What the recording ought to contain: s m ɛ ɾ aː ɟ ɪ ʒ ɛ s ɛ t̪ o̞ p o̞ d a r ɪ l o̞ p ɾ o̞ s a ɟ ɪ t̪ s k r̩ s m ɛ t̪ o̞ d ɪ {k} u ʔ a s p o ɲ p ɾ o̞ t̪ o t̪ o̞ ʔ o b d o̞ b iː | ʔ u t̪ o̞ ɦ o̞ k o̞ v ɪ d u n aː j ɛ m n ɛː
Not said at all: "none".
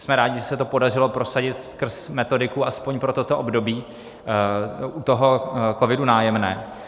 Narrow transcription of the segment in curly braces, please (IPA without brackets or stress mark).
k